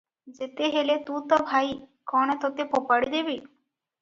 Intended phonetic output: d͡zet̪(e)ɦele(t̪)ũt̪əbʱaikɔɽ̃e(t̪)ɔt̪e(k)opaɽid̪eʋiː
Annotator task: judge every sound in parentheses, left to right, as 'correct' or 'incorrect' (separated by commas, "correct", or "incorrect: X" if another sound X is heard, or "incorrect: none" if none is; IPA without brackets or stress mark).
correct, correct, correct, incorrect: p